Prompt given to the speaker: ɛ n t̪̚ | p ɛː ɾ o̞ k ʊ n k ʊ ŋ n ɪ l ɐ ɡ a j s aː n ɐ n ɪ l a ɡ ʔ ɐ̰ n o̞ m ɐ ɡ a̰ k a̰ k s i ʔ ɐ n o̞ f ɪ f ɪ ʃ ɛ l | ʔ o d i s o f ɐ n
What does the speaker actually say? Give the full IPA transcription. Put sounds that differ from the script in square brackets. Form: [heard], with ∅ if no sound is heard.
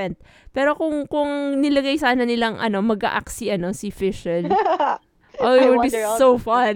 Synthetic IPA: ɛ n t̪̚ | p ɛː ɾ o̞ k ʊ [ŋ] k ʊ ŋ n ɪ l ɐ ɡ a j s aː n ɐ n ɪ l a [ŋ] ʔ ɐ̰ n o̞ m ɐ ɡ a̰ [ʔ] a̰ k s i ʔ ɐ n o̞ [s] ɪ f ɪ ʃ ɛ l | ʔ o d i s o f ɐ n